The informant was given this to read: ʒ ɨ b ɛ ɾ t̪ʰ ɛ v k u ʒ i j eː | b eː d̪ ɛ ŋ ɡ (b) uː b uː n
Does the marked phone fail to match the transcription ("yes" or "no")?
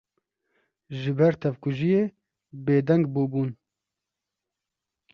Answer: no